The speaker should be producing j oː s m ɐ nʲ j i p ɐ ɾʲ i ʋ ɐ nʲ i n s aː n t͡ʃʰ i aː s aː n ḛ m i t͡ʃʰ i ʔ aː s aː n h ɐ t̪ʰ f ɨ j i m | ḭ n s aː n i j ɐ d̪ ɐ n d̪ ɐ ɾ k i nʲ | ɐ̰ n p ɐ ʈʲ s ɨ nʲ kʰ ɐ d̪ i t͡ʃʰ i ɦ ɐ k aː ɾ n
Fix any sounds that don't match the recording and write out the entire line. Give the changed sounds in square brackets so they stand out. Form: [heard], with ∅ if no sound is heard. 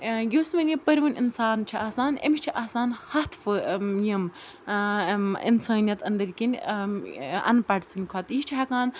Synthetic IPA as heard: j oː s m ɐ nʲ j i p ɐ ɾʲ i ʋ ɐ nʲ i n s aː n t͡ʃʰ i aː s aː n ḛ m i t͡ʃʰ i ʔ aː s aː n h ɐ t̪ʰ f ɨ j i m | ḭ n s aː n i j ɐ [t̪] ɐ n d̪ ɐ ɾ k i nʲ | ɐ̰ n p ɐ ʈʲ s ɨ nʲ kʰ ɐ [t̪] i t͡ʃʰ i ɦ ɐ k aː [∅] n